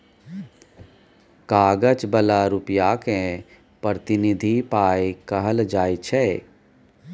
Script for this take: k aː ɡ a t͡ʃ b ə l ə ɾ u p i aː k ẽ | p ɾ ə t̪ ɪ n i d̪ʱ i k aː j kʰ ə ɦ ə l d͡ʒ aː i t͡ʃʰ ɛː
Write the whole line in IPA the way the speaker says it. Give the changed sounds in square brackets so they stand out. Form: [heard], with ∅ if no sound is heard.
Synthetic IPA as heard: k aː ɡ [ə] t͡ʃ b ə l [a] ɾ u p [j] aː k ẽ | p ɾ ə t̪ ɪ n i d̪ʱ i [p] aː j [k] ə ɦ ə l d͡ʒ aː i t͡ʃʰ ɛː